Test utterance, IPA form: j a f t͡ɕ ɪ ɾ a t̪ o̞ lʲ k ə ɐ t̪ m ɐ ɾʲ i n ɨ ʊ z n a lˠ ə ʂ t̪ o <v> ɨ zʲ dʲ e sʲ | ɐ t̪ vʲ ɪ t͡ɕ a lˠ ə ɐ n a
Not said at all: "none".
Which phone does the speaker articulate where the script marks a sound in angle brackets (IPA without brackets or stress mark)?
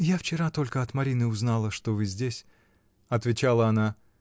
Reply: v